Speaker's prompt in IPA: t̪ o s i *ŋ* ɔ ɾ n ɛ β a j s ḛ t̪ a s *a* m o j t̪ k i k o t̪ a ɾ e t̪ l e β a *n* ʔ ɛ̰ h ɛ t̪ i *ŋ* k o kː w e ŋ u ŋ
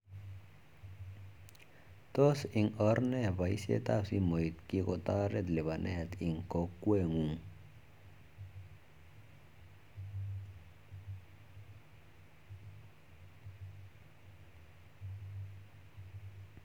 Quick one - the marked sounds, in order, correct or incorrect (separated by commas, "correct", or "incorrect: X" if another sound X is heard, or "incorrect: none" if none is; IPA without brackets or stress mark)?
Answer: correct, incorrect: i, correct, correct